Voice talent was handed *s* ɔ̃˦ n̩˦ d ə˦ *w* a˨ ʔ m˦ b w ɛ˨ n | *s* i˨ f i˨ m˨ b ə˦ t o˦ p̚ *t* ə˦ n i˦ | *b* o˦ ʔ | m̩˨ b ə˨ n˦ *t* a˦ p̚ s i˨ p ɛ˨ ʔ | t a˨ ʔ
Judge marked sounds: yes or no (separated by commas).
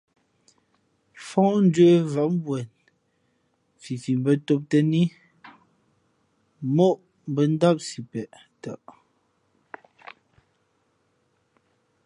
no, no, no, yes, no, no